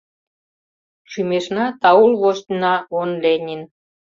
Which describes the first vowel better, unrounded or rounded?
rounded